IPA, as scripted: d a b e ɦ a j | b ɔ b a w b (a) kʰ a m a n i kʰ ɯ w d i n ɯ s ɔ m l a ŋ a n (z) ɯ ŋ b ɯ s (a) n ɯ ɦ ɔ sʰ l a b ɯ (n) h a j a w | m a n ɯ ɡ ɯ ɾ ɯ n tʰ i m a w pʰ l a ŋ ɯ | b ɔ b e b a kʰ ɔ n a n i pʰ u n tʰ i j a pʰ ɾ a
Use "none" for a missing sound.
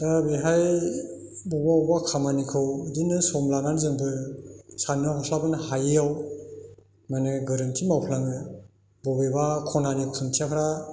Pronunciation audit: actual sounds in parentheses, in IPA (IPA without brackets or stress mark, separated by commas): a, z, a, n